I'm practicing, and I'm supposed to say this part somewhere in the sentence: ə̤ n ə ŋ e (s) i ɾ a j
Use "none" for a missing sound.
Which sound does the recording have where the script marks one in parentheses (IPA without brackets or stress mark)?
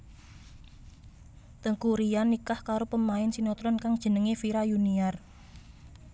f